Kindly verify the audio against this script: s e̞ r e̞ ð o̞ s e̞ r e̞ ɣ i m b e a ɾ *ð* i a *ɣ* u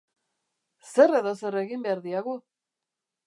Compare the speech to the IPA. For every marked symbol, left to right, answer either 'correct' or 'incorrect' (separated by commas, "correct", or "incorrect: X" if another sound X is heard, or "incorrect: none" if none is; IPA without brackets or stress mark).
correct, correct